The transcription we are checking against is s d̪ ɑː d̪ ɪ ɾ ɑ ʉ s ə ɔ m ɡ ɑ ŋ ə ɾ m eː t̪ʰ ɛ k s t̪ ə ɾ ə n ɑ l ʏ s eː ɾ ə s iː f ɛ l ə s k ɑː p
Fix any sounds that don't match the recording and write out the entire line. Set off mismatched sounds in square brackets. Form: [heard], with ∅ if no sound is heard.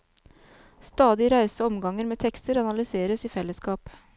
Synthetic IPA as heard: s [t̪] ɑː d̪ ɪ ɾ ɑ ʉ s ə ɔ m ɡ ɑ ŋ ə ɾ m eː t̪ʰ ɛ k s t̪ ə ɾ [ɑ] n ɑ l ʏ s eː ɾ ə s iː f ɛ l ə s k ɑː p